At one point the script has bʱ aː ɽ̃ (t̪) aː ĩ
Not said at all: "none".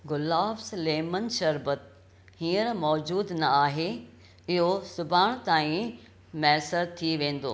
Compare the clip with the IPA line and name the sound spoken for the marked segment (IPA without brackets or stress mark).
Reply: t̪